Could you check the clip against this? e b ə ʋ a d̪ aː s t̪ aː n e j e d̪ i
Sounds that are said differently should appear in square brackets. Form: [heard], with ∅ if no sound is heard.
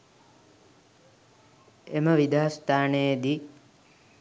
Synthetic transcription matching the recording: e [m] ə ʋ [i] d̪ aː s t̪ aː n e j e d̪ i